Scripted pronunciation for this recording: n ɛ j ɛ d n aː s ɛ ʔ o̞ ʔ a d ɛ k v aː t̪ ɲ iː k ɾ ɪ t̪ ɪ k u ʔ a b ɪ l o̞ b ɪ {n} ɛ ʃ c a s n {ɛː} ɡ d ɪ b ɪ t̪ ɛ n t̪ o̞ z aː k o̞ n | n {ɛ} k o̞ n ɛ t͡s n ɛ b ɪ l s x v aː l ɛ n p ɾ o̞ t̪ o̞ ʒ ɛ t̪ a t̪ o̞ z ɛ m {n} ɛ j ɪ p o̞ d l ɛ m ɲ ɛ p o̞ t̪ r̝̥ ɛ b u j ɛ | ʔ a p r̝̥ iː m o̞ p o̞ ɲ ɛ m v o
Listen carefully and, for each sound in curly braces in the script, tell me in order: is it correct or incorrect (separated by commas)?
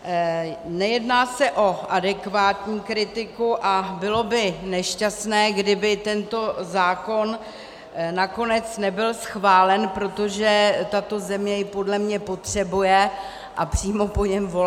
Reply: correct, correct, incorrect, incorrect